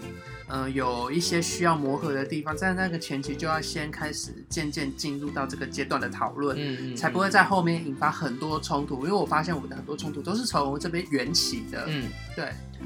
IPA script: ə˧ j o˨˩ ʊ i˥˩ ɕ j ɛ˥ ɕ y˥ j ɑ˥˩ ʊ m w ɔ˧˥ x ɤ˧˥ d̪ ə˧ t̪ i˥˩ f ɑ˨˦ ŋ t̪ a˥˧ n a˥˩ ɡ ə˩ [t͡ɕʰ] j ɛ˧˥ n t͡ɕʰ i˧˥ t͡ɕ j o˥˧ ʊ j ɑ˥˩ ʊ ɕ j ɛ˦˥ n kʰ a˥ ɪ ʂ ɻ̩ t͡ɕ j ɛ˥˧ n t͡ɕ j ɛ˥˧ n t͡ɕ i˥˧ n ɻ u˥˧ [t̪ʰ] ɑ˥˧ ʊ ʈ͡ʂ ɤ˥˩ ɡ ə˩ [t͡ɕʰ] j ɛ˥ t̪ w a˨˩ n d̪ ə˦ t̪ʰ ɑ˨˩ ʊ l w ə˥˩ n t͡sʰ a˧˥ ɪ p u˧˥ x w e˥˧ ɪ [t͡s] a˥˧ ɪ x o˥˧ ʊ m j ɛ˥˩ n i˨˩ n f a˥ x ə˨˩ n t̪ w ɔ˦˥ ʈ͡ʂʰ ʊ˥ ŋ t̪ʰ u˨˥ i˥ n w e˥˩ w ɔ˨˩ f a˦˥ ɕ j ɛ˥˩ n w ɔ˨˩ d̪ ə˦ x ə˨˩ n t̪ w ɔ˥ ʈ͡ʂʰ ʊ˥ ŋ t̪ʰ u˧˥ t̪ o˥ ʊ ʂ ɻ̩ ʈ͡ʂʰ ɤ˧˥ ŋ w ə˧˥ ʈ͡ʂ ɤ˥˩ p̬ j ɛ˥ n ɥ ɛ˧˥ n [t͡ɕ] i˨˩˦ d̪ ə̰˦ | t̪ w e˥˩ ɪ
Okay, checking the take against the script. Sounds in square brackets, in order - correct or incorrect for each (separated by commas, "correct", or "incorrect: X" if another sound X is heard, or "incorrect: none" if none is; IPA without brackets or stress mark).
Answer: correct, incorrect: t̪, incorrect: t͡ɕ, correct, incorrect: t͡ɕʰ